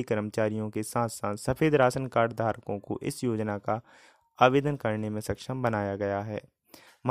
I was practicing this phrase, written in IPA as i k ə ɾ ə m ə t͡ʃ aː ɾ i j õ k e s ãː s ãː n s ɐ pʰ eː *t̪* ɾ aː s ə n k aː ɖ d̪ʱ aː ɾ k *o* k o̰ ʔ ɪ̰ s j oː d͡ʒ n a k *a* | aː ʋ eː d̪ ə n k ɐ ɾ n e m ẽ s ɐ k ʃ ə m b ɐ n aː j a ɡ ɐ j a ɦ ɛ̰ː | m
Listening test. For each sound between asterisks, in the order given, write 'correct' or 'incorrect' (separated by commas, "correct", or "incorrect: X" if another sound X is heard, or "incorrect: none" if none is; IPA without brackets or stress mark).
incorrect: d̪, incorrect: õ, correct